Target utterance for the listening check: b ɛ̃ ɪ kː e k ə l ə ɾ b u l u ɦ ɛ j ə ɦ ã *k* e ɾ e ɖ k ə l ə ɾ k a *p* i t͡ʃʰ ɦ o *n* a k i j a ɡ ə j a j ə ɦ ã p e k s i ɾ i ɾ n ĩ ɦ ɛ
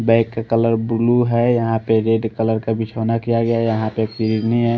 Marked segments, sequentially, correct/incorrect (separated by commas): incorrect, incorrect, correct